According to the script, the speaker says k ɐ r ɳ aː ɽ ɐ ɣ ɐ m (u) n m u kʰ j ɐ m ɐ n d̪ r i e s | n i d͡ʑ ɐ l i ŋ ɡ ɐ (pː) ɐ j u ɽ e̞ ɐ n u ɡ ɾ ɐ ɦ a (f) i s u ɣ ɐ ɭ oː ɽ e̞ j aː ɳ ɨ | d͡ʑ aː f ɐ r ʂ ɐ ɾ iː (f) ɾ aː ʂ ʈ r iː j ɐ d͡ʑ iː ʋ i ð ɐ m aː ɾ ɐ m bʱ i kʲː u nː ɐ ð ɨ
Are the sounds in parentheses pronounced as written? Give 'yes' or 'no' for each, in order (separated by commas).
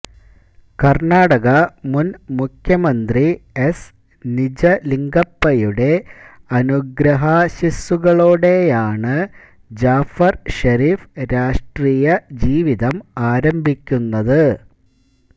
yes, yes, no, yes